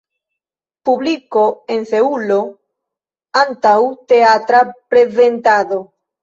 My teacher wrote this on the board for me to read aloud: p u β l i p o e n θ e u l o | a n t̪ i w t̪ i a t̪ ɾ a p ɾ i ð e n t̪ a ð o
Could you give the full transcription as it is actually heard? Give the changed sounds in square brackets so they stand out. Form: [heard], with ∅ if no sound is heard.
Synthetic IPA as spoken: p u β l i [k] o e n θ e u l o | a n t̪ [a] w t̪ [e] a t̪ ɾ a p ɾ [e] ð e n t̪ a ð o